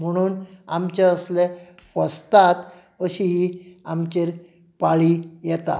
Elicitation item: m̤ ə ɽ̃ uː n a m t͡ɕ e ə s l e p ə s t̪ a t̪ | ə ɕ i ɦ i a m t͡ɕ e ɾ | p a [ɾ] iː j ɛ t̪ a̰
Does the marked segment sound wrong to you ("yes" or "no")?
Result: yes